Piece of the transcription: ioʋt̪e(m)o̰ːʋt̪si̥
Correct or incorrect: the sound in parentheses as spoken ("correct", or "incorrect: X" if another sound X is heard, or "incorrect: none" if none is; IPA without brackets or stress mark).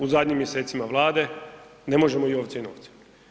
incorrect: n